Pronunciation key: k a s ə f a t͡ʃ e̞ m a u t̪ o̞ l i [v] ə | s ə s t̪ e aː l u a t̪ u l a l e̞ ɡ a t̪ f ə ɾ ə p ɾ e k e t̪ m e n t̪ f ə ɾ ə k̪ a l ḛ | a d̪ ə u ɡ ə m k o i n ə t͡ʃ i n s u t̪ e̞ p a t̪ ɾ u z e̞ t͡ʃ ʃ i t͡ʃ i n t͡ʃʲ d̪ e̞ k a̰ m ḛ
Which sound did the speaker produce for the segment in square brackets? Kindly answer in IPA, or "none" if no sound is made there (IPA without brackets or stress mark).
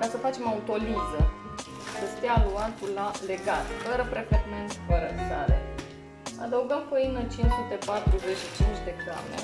z